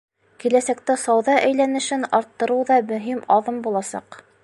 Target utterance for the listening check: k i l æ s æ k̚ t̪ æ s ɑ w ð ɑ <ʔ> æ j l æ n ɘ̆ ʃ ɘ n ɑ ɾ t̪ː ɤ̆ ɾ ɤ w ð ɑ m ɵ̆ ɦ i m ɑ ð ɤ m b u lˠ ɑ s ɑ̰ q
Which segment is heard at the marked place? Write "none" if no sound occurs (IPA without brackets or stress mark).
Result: ʔ